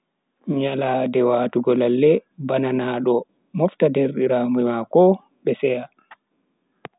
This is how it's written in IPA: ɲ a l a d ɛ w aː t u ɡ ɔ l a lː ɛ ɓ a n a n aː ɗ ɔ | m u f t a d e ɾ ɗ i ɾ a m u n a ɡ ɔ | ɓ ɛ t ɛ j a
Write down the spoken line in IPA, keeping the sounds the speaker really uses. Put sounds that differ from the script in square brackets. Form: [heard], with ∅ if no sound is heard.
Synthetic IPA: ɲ a l a d ɛ w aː t u ɡ ɔ l a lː ɛ [b] a n a n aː ɗ ɔ | m [ɔ] f t a d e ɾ ɗ i ɾ a m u [m] a [k] ɔ | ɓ ɛ [s] ɛ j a